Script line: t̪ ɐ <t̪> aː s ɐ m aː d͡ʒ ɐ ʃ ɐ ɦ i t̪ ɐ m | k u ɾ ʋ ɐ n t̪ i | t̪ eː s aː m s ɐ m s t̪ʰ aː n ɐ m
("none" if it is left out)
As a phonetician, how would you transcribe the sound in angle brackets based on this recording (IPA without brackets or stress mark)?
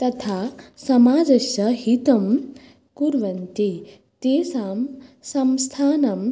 t̪ʰ